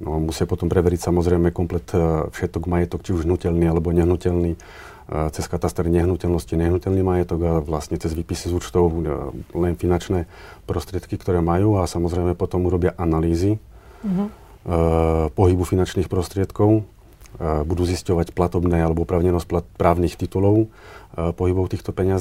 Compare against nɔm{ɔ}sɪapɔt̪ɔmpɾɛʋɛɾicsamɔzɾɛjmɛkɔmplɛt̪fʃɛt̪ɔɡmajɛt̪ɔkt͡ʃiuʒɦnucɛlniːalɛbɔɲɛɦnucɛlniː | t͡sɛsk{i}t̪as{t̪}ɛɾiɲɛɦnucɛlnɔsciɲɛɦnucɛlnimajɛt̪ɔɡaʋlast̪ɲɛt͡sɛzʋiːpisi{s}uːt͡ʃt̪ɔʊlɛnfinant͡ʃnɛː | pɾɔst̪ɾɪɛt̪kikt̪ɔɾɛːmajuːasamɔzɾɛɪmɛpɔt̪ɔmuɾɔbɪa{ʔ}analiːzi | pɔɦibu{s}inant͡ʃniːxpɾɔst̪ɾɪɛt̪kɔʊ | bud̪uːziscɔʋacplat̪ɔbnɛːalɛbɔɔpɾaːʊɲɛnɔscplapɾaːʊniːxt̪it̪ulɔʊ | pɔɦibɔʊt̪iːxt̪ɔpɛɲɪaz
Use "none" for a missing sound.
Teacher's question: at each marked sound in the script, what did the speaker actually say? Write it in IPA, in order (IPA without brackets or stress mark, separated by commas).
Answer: u, a, t̪, z, ʔ, f